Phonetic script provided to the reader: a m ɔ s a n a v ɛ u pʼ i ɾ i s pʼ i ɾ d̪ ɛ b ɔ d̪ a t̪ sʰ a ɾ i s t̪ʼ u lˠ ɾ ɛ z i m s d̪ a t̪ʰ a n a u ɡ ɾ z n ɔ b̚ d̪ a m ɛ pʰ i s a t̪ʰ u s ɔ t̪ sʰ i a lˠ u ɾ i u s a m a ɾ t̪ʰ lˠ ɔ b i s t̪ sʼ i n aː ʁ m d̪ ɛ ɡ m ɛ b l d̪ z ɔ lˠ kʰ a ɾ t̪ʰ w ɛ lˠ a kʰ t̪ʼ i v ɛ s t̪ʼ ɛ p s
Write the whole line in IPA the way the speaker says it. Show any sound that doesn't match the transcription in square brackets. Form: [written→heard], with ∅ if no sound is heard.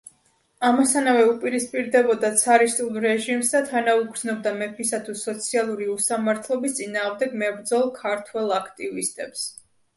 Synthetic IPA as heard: a m ɔ s a n a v ɛ u pʼ i ɾ i s pʼ i ɾ d̪ ɛ b ɔ d̪ a t̪ sʰ a ɾ i s t̪ʼ u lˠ ɾ ɛ [z→ʒ] i m s d̪ a t̪ʰ a n a u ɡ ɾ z n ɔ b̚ d̪ a m ɛ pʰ i s a t̪ʰ u s ɔ t̪ sʰ i a lˠ u ɾ i u s a m a ɾ t̪ʰ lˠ ɔ b i s t̪ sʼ i n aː ʁ m d̪ ɛ ɡ m ɛ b [l→ɾ] d̪ z ɔ lˠ kʰ a ɾ t̪ʰ w ɛ lˠ a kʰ t̪ʼ i v [ɛ→i] s t̪ʼ ɛ p s